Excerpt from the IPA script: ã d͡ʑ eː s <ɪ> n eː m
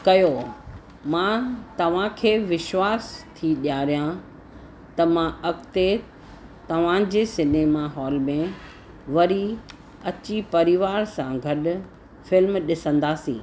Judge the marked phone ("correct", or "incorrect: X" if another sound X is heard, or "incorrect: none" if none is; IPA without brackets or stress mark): correct